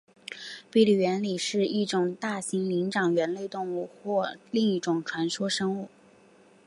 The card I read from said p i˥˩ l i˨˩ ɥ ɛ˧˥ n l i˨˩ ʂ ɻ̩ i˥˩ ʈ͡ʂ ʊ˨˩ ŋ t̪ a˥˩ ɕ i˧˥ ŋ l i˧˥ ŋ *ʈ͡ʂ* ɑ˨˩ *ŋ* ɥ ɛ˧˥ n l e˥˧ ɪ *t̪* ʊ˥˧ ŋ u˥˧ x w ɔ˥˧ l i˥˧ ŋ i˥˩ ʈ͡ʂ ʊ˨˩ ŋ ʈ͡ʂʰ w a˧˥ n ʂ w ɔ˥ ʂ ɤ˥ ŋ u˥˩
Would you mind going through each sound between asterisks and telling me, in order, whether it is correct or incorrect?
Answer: correct, correct, correct

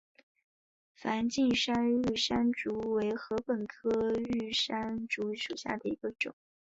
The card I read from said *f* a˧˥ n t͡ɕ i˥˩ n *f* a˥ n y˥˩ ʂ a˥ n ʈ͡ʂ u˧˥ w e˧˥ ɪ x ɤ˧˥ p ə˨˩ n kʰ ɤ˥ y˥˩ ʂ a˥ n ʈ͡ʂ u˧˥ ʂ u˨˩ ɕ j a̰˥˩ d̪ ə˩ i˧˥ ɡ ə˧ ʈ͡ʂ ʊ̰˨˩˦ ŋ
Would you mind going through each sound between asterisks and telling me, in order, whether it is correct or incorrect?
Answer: correct, incorrect: ʂ

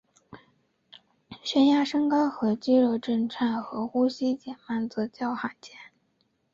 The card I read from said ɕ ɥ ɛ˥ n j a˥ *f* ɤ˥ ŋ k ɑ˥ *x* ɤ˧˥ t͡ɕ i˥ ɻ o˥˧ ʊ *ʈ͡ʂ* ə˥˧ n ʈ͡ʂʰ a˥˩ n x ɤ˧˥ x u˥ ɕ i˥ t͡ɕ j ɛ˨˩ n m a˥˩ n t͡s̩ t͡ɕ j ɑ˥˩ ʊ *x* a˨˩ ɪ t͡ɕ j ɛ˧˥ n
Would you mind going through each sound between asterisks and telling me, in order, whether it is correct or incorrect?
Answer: incorrect: ʂ, correct, correct, correct

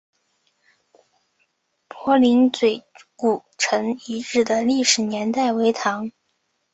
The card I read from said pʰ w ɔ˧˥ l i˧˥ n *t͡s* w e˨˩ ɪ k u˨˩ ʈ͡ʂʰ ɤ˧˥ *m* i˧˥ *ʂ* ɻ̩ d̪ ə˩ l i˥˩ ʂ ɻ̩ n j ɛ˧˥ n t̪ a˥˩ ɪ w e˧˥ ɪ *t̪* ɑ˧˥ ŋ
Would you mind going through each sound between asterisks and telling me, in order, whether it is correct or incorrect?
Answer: correct, incorrect: ŋ, incorrect: ʈ͡ʂ, incorrect: t̪ʰ

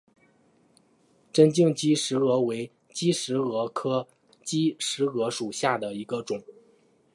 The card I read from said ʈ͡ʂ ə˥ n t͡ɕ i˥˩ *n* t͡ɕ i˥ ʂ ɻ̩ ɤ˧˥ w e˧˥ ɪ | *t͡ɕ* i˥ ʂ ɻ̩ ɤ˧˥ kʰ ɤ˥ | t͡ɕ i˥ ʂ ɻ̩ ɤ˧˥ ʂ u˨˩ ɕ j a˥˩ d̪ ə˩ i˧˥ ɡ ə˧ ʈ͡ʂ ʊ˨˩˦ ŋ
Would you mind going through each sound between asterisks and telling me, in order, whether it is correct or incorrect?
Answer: incorrect: ŋ, correct

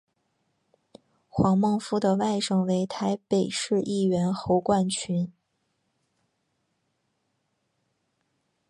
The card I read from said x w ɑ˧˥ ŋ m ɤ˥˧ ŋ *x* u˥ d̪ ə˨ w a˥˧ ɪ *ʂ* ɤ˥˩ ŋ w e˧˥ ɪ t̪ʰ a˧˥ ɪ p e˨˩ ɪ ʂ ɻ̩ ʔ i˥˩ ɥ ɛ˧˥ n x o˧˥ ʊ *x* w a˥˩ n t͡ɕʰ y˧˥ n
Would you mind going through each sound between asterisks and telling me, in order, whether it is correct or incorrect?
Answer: incorrect: f, correct, incorrect: k

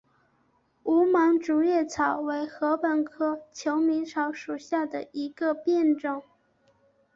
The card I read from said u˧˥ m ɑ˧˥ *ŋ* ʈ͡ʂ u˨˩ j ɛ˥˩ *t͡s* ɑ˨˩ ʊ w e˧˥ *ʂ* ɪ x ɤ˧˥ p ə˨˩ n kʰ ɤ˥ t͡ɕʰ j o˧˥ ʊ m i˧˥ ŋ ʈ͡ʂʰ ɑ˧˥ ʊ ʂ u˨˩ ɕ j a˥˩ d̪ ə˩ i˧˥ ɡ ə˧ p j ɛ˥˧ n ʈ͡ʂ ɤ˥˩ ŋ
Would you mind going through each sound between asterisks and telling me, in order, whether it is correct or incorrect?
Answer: correct, incorrect: t͡sʰ, incorrect: none

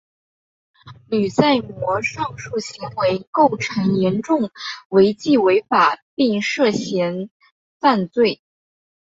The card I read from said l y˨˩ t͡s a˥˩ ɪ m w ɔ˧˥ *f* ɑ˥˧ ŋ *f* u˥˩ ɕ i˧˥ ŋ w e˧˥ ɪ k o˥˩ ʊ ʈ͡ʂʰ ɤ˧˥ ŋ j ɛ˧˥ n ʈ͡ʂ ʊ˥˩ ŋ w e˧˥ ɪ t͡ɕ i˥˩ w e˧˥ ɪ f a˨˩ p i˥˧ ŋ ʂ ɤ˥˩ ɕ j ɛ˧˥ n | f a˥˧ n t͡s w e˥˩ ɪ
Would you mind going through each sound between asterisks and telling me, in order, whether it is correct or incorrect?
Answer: incorrect: ʂ, incorrect: ʂ

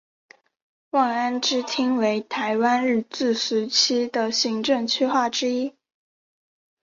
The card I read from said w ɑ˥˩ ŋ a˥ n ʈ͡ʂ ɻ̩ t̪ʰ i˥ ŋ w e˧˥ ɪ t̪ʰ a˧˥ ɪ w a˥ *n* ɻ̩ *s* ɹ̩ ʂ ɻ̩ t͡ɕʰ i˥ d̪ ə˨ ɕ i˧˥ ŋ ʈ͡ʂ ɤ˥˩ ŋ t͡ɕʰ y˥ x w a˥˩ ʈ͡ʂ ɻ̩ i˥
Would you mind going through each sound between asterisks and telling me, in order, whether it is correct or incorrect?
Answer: correct, incorrect: t͡s

